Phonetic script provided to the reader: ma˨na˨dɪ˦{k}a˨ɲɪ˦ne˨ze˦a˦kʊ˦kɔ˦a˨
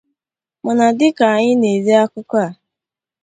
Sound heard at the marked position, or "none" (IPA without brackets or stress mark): k